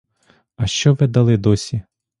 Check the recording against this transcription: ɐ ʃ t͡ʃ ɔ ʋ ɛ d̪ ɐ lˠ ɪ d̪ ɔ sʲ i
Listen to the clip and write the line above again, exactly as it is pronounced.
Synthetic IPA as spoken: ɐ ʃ t͡ʃ ɔ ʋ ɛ d̪ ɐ lˠ ɪ d̪ ɔ sʲ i